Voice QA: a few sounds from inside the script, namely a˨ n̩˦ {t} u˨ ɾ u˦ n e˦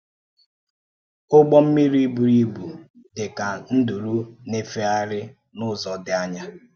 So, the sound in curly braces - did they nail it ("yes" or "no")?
no